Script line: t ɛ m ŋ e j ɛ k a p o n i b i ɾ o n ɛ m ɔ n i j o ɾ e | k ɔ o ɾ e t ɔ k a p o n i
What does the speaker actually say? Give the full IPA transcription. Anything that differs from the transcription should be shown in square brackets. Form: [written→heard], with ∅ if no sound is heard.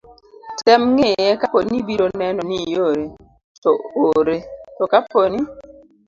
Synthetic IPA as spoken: t ɛ m ŋ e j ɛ k a p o n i b i ɾ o n ɛ [m→n] ɔ n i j o ɾ e | [k→t] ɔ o ɾ e t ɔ k a p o n i